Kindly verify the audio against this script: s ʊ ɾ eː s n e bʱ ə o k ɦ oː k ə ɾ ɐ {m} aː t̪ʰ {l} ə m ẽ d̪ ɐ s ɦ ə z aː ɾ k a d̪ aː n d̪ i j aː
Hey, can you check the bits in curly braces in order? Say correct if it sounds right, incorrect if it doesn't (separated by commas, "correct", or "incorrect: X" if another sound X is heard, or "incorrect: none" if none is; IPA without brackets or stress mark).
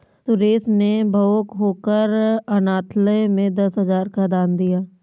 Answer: incorrect: n, correct